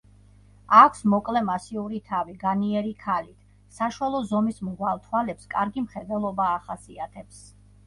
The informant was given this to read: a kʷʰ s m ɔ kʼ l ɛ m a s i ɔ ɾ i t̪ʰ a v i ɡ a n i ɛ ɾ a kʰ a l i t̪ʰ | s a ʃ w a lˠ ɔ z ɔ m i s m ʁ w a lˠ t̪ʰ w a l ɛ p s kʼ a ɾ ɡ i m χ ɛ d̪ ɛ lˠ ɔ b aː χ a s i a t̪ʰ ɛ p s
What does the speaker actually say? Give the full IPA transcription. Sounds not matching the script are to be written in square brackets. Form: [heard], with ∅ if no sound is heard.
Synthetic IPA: a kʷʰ s m ɔ kʼ l ɛ m a s i [u] ɾ i t̪ʰ a v i ɡ a n i ɛ ɾ [i] kʰ a l i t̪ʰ | s a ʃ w a lˠ ɔ z ɔ m i s m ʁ w a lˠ t̪ʰ w a l ɛ p s kʼ a ɾ ɡ i m χ ɛ d̪ ɛ lˠ ɔ b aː χ a s i a t̪ʰ ɛ p s